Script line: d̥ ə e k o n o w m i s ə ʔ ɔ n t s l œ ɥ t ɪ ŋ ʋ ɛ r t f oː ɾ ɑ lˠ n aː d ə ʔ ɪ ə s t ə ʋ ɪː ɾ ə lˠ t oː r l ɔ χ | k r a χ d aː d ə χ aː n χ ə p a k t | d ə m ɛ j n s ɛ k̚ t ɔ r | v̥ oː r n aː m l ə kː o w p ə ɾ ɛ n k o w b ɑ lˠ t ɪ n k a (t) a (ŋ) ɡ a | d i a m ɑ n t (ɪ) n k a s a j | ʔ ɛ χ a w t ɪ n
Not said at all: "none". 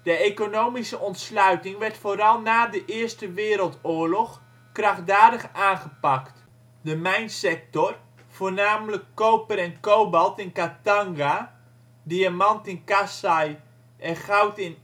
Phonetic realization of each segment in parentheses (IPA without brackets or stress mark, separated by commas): t, ŋ, ɪ